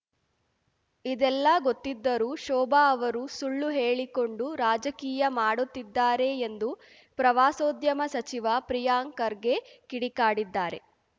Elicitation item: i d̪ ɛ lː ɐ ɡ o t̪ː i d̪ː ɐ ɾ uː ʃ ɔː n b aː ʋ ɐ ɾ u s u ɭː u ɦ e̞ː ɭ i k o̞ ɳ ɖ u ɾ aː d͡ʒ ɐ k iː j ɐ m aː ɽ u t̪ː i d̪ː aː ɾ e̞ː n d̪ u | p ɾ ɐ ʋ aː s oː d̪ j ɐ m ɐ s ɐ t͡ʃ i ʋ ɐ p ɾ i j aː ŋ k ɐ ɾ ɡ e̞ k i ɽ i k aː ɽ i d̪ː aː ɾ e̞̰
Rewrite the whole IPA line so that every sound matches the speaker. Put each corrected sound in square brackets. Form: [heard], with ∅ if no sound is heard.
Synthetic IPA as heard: i d̪ ɛ lː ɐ ɡ o t̪ː i d̪ː ɐ ɾ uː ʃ ɔː [∅] b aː ʋ ɐ ɾ u s u ɭː u ɦ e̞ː ɭ i k o̞ ɳ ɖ u ɾ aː d͡ʒ ɐ k iː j ɐ m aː ɽ u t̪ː i d̪ː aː ɾ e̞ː n d̪ u | p ɾ ɐ ʋ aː s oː d̪ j ɐ m ɐ s ɐ t͡ʃ i ʋ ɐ p ɾ i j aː ŋ k ɐ ɾ ɡ e̞ k i ɽ i k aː ɽ i d̪ː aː ɾ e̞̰